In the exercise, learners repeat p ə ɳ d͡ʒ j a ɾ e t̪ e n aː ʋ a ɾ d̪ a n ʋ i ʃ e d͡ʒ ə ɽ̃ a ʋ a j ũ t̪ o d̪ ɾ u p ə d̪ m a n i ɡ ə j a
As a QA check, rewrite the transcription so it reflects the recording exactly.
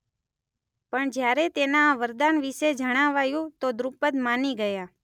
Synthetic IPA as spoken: p ə ɳ d͡ʒ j a ɾ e t̪ e n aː ʋ ə ɾ d̪ a n ʋ i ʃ e d͡ʒ ə ɽ̃ a ʋ a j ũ t̪ o d̪ ɾ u p ə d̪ m a n i ɡ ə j a